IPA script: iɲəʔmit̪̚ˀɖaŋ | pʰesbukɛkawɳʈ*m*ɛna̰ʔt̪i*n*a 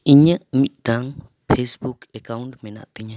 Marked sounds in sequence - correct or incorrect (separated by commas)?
correct, incorrect